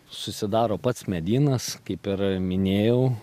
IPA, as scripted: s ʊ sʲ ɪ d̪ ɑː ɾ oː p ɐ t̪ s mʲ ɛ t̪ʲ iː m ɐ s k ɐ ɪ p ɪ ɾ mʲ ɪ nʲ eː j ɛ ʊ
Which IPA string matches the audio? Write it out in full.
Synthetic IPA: s ʊ sʲ ɪ d̪ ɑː ɾ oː p ɐ t̪ s mʲ ɛ d̪ʲ iː n ɐ s k ɐ ɪ p ɪ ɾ mʲ ɪ nʲ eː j ɛ ʊ